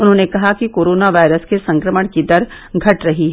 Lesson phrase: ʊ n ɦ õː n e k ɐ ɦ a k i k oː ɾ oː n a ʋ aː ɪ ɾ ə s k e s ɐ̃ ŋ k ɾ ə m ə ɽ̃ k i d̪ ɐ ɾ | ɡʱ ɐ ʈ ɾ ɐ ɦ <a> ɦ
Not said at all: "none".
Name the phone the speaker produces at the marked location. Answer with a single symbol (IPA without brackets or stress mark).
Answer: i